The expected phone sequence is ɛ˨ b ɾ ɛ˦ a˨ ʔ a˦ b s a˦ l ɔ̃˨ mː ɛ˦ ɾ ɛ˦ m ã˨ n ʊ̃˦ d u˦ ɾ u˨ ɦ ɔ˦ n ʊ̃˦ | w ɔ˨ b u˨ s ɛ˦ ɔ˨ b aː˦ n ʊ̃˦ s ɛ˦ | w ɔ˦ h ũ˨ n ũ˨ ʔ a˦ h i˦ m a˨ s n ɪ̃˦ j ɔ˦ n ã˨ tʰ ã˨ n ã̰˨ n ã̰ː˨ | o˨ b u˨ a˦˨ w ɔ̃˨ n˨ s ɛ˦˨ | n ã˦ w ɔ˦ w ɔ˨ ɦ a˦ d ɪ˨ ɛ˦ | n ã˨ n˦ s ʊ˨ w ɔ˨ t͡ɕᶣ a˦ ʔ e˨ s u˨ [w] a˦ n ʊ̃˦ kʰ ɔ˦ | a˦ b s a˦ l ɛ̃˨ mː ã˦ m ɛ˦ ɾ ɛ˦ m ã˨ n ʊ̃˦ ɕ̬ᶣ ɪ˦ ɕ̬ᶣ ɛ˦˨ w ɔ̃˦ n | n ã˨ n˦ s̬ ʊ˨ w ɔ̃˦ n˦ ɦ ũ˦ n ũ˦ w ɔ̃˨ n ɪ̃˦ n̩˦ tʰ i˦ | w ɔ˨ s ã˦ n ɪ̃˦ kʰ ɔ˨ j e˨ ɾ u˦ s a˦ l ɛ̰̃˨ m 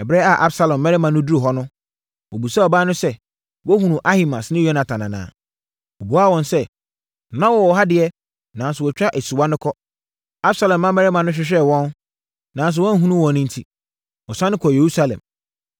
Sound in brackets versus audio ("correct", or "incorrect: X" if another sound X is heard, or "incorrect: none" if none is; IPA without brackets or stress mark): correct